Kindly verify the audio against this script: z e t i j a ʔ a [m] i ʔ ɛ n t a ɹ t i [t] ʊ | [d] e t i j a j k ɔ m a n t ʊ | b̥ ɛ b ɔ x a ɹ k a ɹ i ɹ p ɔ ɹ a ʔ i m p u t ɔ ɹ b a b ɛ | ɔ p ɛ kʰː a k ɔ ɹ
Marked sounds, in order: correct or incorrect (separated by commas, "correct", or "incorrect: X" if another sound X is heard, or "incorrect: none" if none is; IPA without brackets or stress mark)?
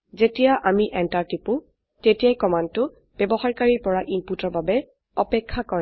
correct, incorrect: p, incorrect: t